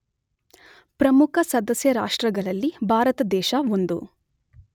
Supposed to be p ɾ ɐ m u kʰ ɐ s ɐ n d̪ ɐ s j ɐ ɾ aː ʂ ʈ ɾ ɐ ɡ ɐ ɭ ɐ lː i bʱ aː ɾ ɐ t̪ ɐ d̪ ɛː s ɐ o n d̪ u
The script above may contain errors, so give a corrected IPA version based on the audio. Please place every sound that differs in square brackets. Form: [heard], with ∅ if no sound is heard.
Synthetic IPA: p ɾ ɐ m u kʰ ɐ s ɐ [∅] d̪ ɐ s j ɐ ɾ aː ʂ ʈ ɾ ɐ ɡ ɐ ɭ ɐ lː i bʱ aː ɾ ɐ t̪ ɐ d̪ ɛː [ʃ] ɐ o n d̪ u